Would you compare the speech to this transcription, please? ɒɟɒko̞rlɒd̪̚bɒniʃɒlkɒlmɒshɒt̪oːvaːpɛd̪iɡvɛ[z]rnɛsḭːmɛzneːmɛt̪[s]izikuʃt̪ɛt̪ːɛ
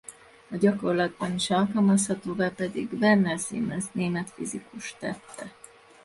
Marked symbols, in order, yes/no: no, no

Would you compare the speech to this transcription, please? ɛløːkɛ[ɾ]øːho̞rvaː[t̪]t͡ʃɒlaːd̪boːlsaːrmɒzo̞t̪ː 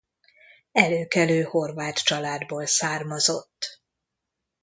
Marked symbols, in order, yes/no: no, yes

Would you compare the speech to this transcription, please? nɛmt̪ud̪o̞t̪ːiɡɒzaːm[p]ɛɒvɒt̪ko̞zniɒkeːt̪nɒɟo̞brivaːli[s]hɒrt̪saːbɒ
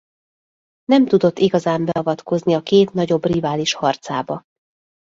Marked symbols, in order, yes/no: no, no

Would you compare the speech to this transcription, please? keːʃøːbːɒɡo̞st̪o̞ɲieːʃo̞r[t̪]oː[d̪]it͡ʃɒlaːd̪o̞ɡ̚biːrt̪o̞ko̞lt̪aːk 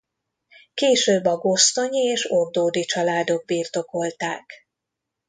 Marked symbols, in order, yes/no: no, yes

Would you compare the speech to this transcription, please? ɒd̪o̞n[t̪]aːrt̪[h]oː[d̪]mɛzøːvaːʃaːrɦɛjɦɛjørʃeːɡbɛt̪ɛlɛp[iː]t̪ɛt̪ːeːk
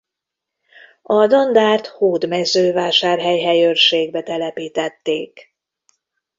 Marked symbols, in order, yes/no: no, yes, yes, yes

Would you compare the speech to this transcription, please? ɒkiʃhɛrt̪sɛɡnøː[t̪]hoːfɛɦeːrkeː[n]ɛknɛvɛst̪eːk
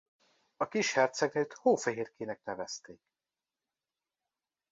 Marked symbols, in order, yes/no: yes, yes

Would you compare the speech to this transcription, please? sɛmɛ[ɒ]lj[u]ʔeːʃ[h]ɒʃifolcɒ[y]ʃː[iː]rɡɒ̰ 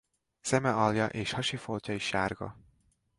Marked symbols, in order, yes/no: yes, no, yes, no, no

